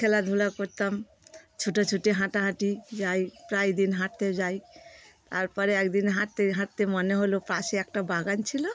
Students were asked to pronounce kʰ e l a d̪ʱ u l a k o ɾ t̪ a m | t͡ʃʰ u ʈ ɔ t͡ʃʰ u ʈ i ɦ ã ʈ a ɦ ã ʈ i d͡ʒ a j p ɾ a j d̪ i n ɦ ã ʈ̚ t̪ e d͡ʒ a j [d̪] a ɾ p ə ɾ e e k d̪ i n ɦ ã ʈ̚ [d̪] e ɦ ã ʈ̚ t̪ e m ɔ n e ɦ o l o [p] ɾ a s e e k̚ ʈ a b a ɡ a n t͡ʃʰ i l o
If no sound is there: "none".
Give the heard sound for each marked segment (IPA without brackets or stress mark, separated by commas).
t̪, t̪, p